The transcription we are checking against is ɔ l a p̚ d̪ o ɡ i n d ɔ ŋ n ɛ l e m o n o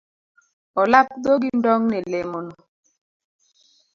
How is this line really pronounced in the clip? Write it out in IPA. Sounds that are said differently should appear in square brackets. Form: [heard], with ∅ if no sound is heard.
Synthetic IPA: ɔ l a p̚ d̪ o ɡ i n d ɔ ŋ n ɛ l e m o n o